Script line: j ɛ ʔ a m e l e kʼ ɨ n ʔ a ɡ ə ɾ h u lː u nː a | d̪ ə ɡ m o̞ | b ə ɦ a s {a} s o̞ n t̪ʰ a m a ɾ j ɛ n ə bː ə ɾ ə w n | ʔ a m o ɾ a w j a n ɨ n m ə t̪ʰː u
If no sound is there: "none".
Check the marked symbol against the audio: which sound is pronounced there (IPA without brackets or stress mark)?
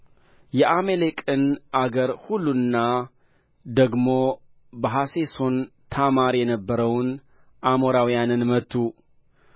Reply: e